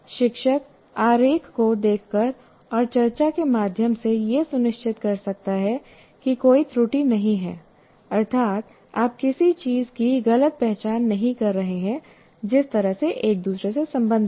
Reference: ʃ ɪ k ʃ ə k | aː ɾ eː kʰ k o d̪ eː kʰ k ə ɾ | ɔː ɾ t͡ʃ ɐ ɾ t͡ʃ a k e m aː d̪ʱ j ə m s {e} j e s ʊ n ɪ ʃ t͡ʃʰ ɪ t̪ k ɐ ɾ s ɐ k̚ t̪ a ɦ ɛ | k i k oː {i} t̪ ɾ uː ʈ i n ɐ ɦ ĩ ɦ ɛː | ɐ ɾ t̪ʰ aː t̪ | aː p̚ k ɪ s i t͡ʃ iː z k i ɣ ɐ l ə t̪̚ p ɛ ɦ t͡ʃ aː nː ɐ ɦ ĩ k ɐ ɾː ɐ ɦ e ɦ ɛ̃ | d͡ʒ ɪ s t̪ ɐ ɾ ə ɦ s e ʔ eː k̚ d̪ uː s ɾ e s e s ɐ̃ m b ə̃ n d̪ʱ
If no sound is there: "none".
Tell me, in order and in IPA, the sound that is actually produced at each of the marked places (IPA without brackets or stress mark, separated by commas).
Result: e, i